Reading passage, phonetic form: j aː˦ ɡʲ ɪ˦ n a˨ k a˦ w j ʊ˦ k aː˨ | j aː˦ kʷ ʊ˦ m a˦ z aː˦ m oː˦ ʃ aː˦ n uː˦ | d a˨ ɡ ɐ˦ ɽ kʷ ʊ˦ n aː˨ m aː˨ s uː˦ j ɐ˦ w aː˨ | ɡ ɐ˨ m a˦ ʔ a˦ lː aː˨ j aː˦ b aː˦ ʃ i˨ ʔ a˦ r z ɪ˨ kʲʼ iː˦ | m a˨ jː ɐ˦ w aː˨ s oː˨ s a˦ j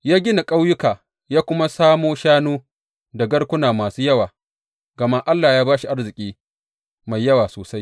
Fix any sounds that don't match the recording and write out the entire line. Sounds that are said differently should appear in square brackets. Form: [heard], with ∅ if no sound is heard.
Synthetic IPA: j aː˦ ɡʲ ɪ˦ n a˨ [kʼ] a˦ w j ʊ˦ k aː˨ | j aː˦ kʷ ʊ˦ m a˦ [s] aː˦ m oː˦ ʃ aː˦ n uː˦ | d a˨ ɡ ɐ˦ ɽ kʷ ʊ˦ n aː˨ m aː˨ s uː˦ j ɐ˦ w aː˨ | ɡ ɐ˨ m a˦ ʔ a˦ lː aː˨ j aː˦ b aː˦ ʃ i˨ ʔ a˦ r z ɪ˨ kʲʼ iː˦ | m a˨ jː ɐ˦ w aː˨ s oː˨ s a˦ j